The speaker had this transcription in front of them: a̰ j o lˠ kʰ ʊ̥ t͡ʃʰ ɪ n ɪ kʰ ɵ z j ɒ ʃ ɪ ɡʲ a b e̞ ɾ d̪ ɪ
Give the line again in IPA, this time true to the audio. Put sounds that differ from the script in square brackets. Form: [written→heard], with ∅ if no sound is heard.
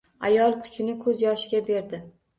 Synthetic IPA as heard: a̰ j [o→ɒ] lˠ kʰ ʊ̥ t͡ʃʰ ɪ n ɪ kʰ ɵ z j ɒ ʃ ɪ ɡʲ a b e̞ ɾ d̪ ɪ